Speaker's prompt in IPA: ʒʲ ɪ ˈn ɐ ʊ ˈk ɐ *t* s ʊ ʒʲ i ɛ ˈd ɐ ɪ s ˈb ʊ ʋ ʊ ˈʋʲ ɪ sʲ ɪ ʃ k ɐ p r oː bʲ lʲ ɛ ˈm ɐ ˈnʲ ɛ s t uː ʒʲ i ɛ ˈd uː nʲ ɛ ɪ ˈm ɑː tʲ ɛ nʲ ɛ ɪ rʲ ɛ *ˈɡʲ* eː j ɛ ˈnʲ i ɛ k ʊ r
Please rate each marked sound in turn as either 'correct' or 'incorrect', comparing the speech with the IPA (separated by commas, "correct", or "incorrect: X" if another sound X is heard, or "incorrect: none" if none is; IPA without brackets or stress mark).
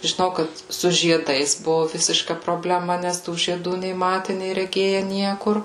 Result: correct, correct